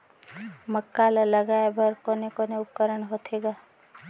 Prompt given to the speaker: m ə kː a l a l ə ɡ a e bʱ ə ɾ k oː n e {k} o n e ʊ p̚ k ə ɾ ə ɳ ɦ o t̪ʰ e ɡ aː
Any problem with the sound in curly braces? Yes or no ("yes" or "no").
no